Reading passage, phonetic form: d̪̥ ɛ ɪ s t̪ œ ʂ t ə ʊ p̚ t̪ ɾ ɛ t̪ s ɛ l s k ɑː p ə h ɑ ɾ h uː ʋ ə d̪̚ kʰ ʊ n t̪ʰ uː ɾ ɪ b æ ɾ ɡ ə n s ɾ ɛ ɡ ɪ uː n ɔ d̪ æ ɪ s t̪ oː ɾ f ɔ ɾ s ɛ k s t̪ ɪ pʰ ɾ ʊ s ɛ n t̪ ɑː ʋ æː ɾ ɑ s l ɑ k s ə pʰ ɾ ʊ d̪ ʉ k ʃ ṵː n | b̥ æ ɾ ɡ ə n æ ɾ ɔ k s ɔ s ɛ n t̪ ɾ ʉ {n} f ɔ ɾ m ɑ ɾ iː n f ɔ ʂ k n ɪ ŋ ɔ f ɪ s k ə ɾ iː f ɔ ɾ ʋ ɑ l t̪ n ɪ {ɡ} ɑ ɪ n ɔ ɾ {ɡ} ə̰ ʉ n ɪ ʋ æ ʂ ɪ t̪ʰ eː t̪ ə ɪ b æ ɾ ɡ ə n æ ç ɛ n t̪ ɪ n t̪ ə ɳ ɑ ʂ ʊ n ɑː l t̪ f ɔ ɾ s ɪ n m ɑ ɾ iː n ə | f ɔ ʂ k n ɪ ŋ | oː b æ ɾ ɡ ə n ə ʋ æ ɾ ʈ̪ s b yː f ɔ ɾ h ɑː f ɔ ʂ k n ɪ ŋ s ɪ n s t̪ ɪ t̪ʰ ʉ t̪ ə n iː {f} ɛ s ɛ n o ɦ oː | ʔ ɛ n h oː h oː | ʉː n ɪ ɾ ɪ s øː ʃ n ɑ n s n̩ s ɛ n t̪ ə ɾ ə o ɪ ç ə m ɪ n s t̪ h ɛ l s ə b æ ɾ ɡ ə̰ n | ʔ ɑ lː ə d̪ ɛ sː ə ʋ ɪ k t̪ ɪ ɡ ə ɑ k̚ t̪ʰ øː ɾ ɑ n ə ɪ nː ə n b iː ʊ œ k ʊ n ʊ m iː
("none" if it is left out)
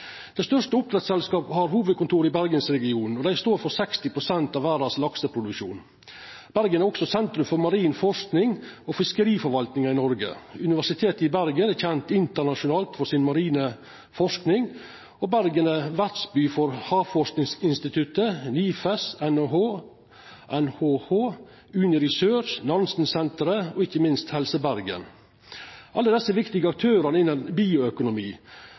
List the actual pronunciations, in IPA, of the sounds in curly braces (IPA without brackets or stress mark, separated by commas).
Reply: m, ŋ, ɡ, f